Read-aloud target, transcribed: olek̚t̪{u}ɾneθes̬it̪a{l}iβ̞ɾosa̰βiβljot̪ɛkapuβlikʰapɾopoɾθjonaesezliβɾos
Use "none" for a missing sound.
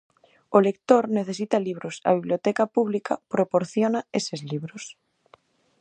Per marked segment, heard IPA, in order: o, l

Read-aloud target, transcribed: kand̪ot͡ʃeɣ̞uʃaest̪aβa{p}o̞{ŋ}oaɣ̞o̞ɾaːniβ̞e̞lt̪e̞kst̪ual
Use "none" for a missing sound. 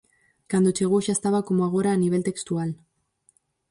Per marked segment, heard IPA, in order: k, m

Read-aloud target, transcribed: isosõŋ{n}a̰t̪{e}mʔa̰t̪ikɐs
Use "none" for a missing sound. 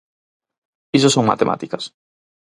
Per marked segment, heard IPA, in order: m, e

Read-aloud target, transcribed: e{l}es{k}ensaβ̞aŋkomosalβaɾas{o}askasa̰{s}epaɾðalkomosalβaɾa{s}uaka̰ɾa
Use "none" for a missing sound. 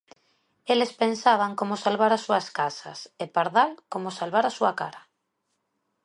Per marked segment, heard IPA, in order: l, p, u, s, s

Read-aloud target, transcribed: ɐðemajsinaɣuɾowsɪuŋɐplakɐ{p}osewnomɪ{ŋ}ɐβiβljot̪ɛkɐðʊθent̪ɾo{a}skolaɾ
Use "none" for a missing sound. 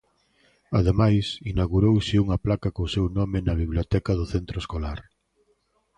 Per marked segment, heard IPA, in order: k, n, e

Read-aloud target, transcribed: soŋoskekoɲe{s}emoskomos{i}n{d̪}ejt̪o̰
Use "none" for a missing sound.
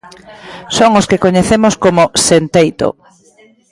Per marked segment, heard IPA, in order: θ, e, t̪

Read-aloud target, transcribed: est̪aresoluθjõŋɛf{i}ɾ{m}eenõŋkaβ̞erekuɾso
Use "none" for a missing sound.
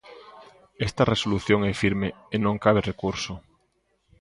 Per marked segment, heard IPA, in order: i, m

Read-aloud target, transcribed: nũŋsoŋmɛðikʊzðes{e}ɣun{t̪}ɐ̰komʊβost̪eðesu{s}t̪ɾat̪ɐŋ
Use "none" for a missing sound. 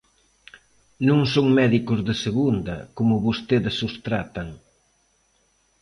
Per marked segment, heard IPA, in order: e, d̪, s

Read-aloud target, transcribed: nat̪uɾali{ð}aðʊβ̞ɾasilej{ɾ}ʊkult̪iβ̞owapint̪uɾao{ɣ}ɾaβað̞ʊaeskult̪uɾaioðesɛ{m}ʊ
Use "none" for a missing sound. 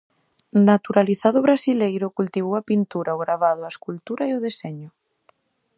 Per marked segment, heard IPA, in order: θ, ɾ, ɣ, ɲ

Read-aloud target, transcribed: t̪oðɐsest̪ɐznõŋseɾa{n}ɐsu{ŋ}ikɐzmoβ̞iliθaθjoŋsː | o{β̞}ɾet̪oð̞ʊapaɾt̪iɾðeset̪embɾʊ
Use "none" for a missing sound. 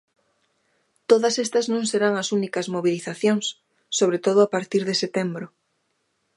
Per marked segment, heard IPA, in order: ŋ, n, β̞

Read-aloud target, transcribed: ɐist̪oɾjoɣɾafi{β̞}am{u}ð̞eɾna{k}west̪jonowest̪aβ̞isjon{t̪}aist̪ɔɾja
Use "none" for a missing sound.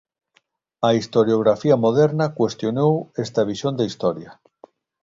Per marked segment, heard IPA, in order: none, o, k, d̪

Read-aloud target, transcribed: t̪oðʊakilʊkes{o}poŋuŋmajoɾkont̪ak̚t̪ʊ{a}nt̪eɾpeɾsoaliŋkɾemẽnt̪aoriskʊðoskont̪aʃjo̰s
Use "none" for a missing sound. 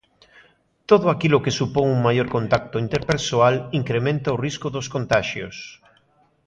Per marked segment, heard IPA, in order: u, i

